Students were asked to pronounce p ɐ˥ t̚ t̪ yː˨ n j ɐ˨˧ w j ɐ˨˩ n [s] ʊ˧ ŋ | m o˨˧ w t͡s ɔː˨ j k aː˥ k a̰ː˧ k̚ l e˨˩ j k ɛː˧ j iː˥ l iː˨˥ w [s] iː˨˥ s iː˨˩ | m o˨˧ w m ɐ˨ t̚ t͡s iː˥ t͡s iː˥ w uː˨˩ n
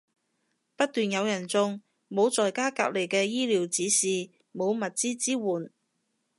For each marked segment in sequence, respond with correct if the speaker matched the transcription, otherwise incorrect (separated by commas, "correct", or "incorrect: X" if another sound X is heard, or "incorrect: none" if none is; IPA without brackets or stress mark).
incorrect: t͡s, incorrect: t͡s